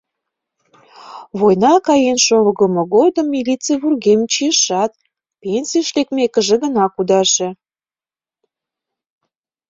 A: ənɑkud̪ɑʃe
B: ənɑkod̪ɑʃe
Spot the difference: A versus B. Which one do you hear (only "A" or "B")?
A